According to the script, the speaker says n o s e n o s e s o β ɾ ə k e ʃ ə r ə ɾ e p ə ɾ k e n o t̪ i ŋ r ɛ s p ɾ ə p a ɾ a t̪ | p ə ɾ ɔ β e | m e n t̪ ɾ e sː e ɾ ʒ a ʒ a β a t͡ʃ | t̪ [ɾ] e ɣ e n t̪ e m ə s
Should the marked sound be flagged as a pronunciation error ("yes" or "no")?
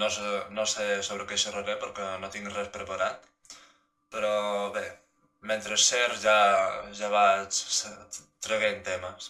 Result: no